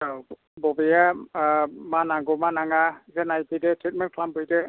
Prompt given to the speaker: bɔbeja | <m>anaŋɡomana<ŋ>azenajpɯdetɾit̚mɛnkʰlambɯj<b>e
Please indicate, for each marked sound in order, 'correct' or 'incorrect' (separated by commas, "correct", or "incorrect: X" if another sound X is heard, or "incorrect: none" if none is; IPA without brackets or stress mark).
correct, correct, incorrect: d